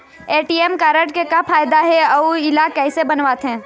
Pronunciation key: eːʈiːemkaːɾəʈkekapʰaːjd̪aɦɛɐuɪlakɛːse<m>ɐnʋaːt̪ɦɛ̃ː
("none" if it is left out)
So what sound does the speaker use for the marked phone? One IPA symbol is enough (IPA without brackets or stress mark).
b